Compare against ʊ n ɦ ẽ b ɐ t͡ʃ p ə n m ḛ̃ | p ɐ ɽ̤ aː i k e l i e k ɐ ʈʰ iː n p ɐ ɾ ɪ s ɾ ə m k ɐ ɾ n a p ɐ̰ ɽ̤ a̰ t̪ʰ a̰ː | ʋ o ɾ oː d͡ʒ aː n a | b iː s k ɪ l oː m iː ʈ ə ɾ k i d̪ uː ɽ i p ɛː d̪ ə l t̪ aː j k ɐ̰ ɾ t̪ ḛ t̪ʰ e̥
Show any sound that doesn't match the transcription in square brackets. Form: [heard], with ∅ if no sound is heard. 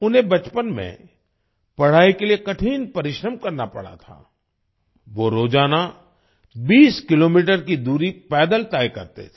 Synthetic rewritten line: ʊ n ɦ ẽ b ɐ t͡ʃ p ə n m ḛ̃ | p ɐ ɽ̤ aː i k e l i e k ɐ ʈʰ iː n p ɐ ɾ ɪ [ʃ] ɾ ə m k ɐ ɾ n a p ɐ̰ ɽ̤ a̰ t̪ʰ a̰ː | ʋ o ɾ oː d͡ʒ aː n a | b iː s k ɪ l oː m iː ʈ ə ɾ k i d̪ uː [ɾ] i p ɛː d̪ ə l t̪ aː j k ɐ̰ ɾ t̪ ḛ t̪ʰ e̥

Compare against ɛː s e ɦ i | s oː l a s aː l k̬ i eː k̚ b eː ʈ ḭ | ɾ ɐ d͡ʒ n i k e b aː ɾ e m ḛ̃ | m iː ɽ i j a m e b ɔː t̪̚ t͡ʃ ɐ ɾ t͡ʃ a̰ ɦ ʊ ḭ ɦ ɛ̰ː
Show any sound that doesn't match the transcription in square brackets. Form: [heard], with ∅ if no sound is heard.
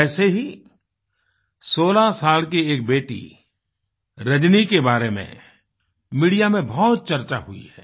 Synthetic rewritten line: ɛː s e ɦ i | s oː l a s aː l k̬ i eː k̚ b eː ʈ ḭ | ɾ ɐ d͡ʒ n i k e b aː ɾ e m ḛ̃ | m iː ɽ i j a m [ẽ] b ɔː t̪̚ t͡ʃ ɐ ɾ t͡ʃ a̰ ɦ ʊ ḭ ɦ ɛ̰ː

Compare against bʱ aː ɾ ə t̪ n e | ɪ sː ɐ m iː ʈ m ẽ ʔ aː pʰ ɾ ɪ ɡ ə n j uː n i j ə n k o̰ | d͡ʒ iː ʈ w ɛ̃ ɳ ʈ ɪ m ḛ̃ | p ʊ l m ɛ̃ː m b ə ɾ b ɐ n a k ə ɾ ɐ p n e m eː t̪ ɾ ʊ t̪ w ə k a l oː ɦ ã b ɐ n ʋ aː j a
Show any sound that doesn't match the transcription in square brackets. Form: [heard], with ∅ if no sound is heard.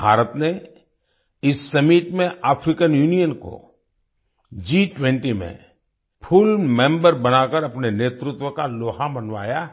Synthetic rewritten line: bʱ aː ɾ ə t̪ n e | ɪ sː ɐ m iː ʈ m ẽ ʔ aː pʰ ɾ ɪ [k] ə n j uː n i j ə n k o̰ | d͡ʒ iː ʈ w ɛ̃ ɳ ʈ [i] m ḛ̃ | [pʰ] ʊ l m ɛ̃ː m b ə ɾ b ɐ n a k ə ɾ ɐ p n e [n] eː t̪ ɾ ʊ t̪ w ə k a l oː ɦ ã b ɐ n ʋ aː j a

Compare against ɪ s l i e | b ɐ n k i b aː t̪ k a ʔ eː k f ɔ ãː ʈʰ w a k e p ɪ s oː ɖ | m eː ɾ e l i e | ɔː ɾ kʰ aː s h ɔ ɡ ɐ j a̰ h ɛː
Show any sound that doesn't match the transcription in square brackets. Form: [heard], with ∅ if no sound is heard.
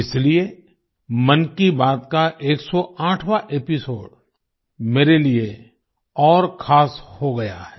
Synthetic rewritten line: ɪ s l i e | [m] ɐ n k i b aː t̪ k a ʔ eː k [s] ɔ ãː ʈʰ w a [ʔ] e p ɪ s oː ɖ | m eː ɾ e l i e | ɔː ɾ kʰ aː s h [o] ɡ ɐ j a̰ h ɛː

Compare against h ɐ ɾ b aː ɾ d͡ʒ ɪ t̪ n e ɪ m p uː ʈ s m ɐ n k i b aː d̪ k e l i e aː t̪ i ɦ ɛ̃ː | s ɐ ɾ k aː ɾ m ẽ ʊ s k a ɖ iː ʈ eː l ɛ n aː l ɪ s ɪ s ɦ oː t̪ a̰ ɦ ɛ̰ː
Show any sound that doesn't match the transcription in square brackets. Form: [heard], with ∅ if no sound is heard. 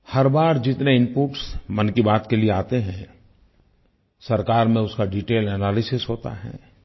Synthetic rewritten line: h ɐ ɾ b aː ɾ d͡ʒ ɪ t̪ n e ɪ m p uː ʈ s m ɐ n k i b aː [t̪] k e l i e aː t̪ [e] ɦ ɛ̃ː | s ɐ ɾ k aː ɾ m ẽ ʊ s k a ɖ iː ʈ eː l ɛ n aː l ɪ s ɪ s ɦ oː t̪ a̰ ɦ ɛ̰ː

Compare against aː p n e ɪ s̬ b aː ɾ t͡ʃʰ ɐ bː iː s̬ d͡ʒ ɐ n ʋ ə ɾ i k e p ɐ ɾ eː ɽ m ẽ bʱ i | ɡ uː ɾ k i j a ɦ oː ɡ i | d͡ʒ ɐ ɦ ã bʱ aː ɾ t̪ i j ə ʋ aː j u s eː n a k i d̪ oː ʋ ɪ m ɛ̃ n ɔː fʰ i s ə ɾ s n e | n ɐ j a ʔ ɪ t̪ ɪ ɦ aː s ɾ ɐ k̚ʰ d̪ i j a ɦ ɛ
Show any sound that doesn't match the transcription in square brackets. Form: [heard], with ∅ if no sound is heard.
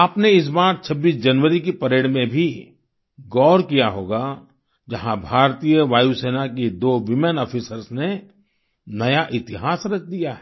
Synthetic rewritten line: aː p n e ɪ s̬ b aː ɾ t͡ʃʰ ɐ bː iː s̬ d͡ʒ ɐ n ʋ ə ɾ i k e p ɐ ɾ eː ɽ m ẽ bʱ i | ɡ [ɔː] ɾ k i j a ɦ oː ɡ [a] | d͡ʒ ɐ ɦ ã bʱ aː ɾ t̪ i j ə ʋ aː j u s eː n a k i d̪ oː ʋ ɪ m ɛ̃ n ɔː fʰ i s ə ɾ s n e | n ɐ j a ʔ ɪ t̪ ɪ ɦ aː s ɾ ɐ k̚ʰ d̪ i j a ɦ ɛ

